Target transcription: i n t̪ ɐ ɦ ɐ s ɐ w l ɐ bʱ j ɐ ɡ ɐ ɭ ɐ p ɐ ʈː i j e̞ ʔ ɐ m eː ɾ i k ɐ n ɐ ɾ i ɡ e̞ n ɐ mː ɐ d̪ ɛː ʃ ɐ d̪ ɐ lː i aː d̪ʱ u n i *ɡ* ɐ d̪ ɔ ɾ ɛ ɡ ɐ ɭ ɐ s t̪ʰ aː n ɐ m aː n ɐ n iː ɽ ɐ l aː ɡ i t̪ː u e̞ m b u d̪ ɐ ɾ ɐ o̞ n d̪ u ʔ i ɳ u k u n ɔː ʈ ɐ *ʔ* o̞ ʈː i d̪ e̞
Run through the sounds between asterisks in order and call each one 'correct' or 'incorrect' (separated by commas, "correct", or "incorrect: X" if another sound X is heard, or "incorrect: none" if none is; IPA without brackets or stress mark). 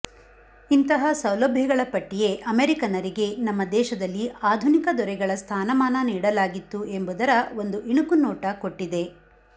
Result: incorrect: k, incorrect: k